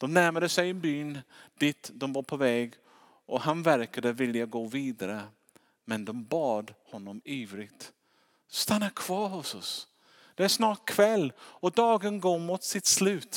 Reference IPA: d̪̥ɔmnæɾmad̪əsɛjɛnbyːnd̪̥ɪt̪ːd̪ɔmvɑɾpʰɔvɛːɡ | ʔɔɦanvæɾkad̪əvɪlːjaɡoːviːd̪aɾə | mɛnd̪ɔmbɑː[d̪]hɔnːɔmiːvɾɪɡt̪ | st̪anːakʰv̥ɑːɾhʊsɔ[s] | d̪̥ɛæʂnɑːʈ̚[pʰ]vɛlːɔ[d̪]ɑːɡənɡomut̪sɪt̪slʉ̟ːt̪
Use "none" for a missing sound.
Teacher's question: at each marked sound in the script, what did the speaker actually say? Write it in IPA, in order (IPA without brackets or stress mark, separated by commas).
d̪, s, kʰ, d̪